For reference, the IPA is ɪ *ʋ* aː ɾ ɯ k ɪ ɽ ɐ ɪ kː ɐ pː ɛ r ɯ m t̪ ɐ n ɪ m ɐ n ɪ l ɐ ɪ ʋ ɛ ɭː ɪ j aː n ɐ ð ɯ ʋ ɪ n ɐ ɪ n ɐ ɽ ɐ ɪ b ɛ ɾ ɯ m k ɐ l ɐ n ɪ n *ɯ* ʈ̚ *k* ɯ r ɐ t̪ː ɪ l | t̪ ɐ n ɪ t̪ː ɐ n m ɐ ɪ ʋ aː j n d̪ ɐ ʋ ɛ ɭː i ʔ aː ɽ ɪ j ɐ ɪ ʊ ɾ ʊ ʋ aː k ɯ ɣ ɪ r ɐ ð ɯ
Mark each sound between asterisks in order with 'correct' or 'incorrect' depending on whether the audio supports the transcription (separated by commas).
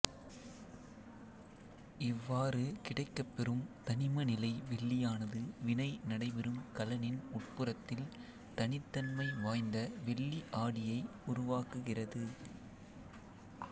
incorrect, incorrect, incorrect